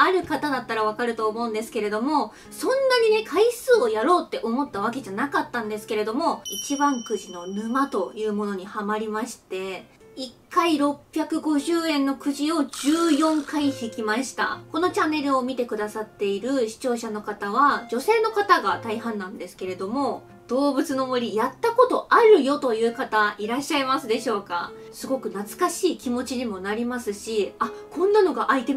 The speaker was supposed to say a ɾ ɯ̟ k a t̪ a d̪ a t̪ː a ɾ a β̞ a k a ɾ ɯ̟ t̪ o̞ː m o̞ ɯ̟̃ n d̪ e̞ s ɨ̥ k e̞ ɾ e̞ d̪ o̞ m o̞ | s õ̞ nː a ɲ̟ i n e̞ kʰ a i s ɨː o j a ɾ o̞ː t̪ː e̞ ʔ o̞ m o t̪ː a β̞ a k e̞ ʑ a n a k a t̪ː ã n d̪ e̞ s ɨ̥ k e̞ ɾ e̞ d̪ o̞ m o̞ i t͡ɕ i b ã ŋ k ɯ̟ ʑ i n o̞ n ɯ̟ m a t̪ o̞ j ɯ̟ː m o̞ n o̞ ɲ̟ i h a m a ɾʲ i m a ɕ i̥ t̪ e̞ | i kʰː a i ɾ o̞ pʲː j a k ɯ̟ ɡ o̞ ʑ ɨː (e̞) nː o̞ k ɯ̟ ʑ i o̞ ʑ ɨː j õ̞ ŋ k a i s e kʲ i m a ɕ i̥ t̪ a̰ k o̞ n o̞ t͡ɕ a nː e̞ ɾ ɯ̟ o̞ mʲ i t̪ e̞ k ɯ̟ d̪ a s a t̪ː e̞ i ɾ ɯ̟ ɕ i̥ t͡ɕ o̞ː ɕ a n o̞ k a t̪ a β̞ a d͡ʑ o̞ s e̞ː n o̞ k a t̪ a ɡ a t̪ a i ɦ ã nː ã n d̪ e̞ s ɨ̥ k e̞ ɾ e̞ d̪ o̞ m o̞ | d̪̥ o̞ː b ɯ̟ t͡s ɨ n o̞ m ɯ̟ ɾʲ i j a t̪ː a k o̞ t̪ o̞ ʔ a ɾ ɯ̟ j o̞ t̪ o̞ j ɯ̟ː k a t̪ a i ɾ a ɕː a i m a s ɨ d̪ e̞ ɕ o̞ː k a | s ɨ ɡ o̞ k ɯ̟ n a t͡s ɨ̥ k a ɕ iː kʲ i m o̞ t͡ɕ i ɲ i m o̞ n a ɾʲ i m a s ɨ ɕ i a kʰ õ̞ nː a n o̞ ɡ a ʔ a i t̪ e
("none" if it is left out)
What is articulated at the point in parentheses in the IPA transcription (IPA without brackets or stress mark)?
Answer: ẽ̞